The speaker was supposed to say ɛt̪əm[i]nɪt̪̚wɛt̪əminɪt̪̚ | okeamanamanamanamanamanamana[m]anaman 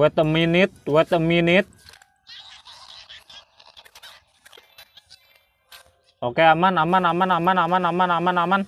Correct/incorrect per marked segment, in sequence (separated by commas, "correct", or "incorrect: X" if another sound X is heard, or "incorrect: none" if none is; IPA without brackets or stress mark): correct, correct